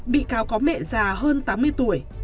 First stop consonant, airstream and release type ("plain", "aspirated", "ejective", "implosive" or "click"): implosive